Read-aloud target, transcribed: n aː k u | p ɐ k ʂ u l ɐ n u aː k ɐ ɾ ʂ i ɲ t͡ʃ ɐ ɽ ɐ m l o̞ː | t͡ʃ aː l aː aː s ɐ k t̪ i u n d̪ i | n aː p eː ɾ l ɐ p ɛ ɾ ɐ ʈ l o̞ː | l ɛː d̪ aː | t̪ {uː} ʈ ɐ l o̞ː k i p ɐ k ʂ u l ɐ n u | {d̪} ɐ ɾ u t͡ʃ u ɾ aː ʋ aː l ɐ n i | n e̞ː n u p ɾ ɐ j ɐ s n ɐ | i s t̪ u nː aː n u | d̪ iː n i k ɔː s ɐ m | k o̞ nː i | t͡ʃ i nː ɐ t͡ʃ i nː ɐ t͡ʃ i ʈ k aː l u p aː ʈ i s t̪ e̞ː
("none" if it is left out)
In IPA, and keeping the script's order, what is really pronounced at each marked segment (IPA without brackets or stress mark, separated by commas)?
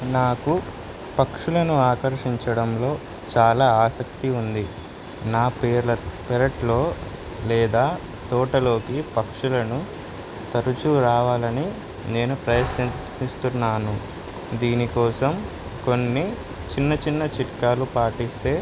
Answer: ɔː, t̪